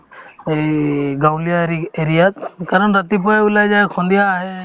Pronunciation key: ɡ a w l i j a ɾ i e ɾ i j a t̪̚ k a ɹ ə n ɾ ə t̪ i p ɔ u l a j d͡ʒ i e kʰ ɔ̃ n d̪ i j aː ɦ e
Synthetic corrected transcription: ɡ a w l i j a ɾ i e ɾ i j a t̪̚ k a ɾ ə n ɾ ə t̪ i p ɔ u l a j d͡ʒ a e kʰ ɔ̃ n d̪ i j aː ɦ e